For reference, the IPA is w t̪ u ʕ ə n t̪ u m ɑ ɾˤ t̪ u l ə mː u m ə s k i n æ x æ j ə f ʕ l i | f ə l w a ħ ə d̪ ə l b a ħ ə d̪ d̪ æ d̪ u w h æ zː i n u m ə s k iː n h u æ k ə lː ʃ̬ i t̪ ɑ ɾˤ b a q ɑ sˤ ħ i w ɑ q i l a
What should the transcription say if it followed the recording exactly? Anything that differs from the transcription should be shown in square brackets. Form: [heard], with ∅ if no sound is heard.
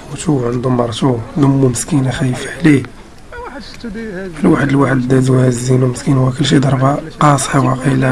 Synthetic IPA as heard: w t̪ u ʕ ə n [d̪] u m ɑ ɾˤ t̪ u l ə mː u m ə s k i n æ x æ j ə f ʕ l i | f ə l w a ħ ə d̪ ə l [w] a ħ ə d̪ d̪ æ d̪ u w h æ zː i n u m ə s k [i] n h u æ k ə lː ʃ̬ i [d̪] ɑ ɾˤ b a q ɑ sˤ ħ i w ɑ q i l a